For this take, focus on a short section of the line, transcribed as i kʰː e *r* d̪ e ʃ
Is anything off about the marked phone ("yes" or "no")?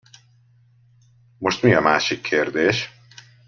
yes